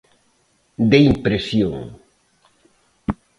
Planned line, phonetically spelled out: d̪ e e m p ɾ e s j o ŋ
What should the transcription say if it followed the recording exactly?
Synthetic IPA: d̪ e i m p ɾ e s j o ŋ